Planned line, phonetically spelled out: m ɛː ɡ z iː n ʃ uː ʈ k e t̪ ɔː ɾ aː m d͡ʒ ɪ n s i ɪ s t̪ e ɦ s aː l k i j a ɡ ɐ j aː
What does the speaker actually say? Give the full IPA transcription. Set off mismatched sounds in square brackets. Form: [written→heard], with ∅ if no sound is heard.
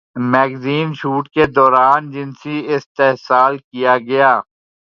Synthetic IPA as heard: m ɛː ɡ z iː n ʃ uː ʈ k e [t̪→d̪] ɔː ɾ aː [m→n] d͡ʒ ɪ n s i ɪ s t̪ e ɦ s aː l k i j a ɡ ɐ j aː